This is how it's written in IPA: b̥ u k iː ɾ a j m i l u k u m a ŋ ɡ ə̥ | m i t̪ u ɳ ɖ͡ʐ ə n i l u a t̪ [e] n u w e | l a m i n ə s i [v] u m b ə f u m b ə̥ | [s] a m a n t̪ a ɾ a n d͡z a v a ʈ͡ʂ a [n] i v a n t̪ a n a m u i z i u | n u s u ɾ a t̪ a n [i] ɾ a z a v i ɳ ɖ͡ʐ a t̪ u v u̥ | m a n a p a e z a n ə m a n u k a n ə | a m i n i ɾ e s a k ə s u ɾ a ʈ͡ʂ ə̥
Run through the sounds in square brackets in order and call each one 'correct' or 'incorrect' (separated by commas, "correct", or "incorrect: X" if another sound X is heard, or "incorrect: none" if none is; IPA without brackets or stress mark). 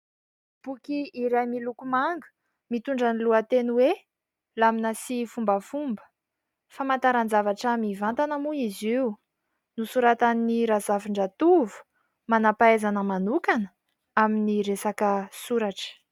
correct, incorrect: f, incorrect: f, incorrect: m, correct